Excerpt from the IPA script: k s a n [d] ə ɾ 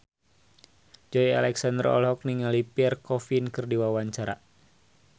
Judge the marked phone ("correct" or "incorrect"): correct